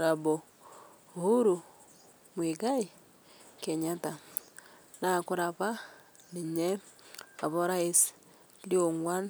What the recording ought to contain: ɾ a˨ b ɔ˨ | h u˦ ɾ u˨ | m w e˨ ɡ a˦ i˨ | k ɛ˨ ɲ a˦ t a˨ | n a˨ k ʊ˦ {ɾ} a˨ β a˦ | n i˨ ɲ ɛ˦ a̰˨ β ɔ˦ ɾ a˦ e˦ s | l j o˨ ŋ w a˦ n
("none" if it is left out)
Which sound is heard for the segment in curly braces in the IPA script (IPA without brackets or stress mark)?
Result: ɾ